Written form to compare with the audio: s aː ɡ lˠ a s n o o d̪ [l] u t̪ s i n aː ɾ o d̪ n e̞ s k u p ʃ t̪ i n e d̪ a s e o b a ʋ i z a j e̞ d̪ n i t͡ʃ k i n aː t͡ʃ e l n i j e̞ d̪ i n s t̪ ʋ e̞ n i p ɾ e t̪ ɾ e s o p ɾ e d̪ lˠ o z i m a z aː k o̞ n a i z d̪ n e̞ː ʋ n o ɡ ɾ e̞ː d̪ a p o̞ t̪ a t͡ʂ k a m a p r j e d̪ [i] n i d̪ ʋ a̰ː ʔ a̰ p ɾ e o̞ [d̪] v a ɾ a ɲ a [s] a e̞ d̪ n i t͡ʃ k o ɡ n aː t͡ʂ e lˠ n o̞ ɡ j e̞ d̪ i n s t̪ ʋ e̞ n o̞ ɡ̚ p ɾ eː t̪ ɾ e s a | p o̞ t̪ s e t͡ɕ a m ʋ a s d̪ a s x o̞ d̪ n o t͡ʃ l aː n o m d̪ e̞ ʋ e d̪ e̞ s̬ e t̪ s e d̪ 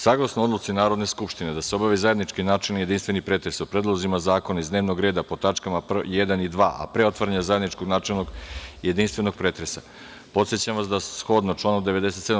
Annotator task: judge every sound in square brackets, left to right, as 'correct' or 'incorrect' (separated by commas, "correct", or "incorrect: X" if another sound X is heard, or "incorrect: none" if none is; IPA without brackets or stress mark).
correct, incorrect: a, incorrect: t̪, incorrect: z